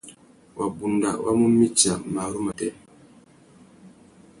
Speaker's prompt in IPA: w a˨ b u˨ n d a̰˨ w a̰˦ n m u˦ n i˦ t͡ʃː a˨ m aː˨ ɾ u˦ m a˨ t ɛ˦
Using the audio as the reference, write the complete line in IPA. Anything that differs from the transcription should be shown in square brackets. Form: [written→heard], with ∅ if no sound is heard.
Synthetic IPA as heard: w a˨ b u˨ n d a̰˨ w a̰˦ [n→∅] m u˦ [n→m] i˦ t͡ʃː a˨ m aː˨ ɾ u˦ m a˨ t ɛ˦